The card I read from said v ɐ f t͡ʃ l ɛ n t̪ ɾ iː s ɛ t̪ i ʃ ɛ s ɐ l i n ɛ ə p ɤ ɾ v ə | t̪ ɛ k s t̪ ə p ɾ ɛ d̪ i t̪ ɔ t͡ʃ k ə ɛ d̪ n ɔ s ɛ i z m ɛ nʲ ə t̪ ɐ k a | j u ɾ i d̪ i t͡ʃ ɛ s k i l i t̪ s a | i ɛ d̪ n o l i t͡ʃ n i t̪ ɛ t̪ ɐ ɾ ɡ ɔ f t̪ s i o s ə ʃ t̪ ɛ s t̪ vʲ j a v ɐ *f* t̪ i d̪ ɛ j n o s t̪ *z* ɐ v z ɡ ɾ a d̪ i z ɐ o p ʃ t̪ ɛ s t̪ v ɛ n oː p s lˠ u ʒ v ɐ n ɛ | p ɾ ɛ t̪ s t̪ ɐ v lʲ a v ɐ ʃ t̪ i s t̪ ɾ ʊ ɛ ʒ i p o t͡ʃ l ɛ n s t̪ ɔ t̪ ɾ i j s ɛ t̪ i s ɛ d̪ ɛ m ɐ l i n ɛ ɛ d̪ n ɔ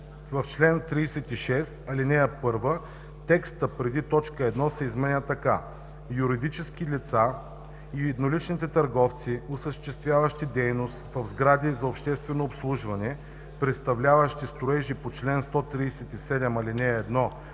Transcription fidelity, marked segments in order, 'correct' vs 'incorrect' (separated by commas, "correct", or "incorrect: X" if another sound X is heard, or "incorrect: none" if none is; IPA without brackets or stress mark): incorrect: ʃ, incorrect: v